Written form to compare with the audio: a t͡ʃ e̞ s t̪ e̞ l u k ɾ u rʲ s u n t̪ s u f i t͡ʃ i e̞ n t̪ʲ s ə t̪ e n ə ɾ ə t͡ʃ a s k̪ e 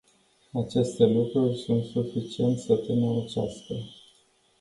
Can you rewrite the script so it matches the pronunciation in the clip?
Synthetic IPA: a t͡ʃ e̞ s t̪ e̞ l u k ɾ u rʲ s u n t̪ s u f i t͡ʃ i e̞ n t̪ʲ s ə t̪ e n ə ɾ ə t͡ʃ a s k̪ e